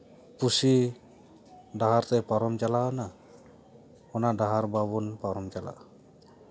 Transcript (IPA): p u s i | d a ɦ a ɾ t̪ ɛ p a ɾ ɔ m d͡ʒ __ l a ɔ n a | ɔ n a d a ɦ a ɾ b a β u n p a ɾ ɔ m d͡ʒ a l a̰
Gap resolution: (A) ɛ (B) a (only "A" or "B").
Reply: B